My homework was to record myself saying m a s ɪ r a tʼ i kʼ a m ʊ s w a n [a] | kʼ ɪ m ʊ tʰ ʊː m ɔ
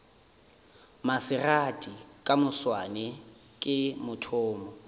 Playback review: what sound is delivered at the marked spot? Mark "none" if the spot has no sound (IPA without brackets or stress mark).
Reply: ɛ